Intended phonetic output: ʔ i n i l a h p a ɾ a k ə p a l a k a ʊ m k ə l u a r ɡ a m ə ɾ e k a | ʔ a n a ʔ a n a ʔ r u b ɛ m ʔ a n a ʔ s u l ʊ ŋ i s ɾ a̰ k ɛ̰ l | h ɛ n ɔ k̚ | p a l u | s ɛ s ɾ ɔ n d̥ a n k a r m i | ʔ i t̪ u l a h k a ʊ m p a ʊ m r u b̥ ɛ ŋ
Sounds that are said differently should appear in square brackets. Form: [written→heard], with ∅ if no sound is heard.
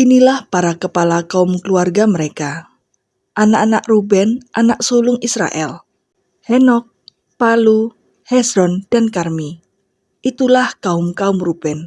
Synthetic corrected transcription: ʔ i n i l a h p a ɾ a k ə p a l a k a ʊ m k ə l u a r ɡ a m ə ɾ e k a | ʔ a n a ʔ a n a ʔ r u b ɛ [m→n] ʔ a n a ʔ s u l ʊ ŋ i s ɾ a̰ [k→ʔ] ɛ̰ l | h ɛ n ɔ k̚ | p a l u | [s→h] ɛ s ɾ ɔ n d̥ a n k a r m i | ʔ i t̪ u l a h k a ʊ m [p→k] a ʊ m r u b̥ ɛ [ŋ→n]